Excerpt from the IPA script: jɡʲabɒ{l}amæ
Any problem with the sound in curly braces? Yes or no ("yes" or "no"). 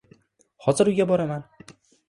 yes